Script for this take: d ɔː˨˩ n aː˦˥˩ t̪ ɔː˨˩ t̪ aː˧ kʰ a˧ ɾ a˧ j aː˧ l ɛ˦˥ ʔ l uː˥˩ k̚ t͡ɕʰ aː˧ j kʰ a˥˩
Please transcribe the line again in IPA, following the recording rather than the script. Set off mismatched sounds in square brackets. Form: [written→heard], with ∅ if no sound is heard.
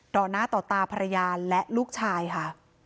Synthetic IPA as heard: d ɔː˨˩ n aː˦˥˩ t̪ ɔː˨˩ t̪ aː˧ [kʰ→pʰ] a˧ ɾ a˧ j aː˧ l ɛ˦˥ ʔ l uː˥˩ k̚ t͡ɕʰ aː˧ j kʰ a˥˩